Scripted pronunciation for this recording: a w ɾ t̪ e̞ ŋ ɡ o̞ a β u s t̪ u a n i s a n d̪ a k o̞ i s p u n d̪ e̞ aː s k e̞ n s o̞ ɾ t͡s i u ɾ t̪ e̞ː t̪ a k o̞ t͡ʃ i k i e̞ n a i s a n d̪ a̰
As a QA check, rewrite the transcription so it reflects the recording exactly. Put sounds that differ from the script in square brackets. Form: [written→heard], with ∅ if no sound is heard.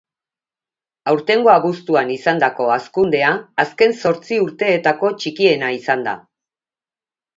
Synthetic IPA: a w ɾ t̪ e̞ ŋ ɡ o̞ a β u s t̪ u a n i s a n d̪ a k o̞ [i→a] s [p→k] u n d̪ e̞ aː s k e̞ n s o̞ ɾ t͡s i u ɾ t̪ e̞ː t̪ a k o̞ t͡ʃ i k i e̞ n a i s a n d̪ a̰